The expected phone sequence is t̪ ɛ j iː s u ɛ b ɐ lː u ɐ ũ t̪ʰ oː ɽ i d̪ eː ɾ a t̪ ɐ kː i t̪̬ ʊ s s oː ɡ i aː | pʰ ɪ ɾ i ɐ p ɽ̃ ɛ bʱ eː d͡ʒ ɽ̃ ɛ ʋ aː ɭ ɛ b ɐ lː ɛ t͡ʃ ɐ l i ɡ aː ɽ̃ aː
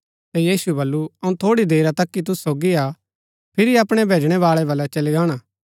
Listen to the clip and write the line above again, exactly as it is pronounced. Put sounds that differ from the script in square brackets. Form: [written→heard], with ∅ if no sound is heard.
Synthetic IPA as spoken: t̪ ɛ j iː s u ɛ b ɐ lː u ɐ ũ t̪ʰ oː ɽ i d̪ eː ɾ a t̪ ɐ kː i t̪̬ ʊ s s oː ɡ i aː | pʰ ɪ ɾ i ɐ p ɽ̃ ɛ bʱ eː d͡ʒ ɽ̃ ɛ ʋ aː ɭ ɛ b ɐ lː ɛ t͡ʃ ɐ l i ɡ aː ɽ̃ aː